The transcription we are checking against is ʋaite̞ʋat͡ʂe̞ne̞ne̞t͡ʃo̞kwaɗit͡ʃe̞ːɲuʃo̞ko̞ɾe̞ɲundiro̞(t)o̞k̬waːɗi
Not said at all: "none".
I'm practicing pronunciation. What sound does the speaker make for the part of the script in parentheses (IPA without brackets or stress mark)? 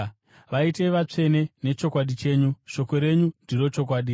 t͡ʃ